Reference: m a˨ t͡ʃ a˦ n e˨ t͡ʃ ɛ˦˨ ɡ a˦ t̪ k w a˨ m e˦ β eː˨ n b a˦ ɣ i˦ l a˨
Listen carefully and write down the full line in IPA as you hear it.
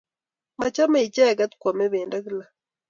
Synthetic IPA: m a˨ t͡ʃ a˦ m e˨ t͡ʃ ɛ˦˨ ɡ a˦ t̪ k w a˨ m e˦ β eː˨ n d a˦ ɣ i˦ l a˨